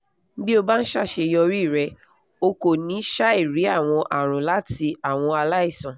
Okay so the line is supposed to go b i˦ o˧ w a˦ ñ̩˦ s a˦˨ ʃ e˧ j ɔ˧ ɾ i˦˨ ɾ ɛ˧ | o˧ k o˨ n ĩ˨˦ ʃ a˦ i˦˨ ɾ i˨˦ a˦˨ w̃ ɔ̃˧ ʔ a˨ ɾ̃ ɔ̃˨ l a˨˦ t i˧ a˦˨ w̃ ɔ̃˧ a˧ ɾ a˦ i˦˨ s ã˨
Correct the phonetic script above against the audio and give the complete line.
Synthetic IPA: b i˦ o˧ b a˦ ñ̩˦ ʃ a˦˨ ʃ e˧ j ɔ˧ ɾ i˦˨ ɾ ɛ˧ | o˧ k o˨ n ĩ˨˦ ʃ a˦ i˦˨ ɾ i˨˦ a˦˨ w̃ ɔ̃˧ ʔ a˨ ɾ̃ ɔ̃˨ l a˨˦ t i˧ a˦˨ w̃ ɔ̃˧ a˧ l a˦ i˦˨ s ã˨